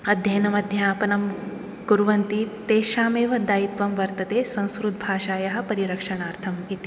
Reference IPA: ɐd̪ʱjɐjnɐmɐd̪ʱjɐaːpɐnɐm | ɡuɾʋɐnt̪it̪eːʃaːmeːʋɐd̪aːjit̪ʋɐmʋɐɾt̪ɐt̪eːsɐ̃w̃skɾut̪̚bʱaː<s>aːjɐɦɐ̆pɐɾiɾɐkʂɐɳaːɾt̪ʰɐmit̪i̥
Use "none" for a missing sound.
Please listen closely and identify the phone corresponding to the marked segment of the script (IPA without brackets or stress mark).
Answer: ʃ